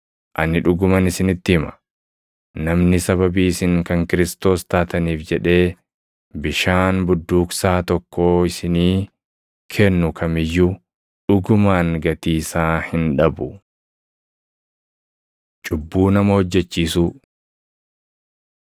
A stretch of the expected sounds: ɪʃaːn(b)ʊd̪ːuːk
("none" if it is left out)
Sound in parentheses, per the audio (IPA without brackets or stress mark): b